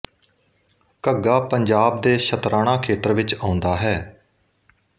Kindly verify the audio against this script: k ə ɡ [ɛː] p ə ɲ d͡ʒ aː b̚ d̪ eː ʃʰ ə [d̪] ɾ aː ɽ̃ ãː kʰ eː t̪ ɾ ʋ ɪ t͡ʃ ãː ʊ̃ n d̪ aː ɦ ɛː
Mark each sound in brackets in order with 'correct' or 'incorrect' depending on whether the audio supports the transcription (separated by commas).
incorrect, incorrect